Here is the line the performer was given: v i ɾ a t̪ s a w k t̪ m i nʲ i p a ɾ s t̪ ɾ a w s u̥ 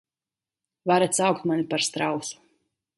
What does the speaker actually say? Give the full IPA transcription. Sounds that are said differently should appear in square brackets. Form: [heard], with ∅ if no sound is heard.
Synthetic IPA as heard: v [a] ɾ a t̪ s a w k t̪ m [a] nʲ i p a ɾ s t̪ ɾ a w s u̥

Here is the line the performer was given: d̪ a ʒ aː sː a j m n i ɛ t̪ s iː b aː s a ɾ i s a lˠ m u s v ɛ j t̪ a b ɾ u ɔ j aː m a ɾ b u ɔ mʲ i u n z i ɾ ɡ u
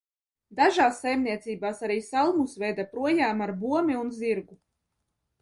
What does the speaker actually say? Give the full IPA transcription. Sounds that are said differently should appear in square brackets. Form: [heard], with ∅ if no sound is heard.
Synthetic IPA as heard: d̪ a ʒ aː sː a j m n i ɛ t̪ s iː b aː s a ɾ [iː] s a lˠ m u s v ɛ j [d̪] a [p] ɾ u ɔ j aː m a ɾ b u ɔ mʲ i u n z i ɾ ɡ u

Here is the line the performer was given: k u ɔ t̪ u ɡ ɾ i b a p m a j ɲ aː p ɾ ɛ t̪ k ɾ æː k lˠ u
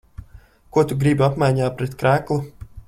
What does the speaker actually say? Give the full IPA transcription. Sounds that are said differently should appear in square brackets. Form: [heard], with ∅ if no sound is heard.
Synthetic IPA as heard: k u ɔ t̪ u ɡ ɾ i b a p m a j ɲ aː p ɾ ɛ t̪ k ɾ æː k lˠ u

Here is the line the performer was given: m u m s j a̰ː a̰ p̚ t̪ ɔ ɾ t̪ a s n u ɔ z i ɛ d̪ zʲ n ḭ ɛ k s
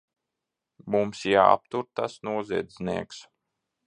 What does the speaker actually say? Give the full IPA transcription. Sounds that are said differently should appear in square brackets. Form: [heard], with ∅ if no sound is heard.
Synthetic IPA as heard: m u m s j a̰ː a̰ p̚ t̪ [u] ɾ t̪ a s n u ɔ z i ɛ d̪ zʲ n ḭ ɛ k s

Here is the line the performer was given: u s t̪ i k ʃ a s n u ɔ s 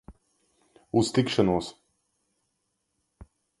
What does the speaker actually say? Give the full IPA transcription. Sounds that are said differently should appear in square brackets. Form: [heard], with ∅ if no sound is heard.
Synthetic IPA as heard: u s t̪ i k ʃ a [∅] n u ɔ s

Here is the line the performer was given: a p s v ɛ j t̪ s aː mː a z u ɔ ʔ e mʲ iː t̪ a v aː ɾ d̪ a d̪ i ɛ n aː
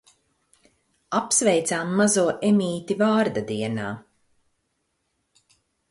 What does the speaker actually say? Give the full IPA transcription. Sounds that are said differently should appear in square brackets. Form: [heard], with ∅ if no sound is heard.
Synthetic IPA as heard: a p s v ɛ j t̪ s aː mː a z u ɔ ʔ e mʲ iː t̪ [i] v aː ɾ d̪ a d̪ i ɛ n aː

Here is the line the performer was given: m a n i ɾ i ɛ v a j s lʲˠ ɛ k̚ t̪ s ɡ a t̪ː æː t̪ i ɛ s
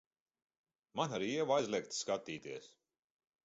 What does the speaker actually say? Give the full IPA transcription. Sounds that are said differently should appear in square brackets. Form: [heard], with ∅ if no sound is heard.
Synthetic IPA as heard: m a n [a] ɾ i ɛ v a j [z] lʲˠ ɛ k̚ t̪ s [k] a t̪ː [iː] t̪ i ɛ s

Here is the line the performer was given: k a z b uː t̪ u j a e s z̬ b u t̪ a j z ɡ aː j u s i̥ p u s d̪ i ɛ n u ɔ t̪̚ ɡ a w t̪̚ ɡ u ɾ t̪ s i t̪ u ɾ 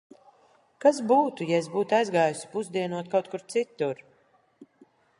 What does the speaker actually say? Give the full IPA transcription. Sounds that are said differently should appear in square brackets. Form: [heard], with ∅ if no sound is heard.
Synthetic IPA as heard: k a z b uː t̪ u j a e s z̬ b [uː] t̪ a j z ɡ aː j u s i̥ p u [z] d̪ i ɛ n u ɔ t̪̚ [k] a w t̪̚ [k] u ɾ t̪ s i t̪ u ɾ

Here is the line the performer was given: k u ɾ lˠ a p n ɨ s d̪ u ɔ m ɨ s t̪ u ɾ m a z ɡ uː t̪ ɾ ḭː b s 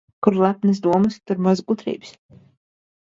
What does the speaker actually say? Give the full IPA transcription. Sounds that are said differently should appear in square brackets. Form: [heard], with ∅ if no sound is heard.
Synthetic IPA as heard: k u ɾ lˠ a p n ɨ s d̪ u ɔ m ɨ s t̪ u ɾ m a z ɡ [u] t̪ ɾ ḭː b s

